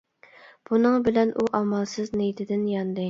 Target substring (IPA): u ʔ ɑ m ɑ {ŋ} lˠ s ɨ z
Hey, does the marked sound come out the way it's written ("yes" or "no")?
no